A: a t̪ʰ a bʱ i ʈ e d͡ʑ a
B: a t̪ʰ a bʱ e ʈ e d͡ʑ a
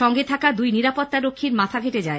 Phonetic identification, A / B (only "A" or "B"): B